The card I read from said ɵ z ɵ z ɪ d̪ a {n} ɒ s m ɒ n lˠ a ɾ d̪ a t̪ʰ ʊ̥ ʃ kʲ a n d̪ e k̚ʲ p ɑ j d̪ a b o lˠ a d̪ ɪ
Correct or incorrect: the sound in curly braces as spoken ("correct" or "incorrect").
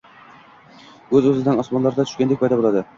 correct